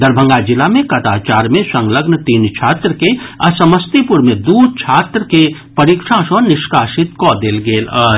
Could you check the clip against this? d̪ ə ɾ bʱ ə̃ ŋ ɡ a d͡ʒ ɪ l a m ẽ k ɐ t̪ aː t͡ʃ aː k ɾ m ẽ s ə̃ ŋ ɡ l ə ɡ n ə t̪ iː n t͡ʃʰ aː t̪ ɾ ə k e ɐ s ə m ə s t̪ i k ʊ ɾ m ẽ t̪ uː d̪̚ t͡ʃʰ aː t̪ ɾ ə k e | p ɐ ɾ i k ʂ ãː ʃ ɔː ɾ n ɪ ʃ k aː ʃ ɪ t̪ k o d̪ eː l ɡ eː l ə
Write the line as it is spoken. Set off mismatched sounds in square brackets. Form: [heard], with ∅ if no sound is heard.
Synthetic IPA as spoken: d̪ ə ɾ bʱ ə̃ ŋ ɡ a d͡ʒ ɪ l a m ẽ k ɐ t̪ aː t͡ʃ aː [∅] ɾ m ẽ s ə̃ ŋ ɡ l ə ɡ n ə t̪ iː n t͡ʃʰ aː t̪ ɾ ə k e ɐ s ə m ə s t̪ i [p] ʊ ɾ m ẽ [d̪] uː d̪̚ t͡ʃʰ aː t̪ ɾ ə k e | p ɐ ɾ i k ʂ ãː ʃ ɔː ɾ n ɪ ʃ k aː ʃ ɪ t̪ k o d̪ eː l ɡ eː l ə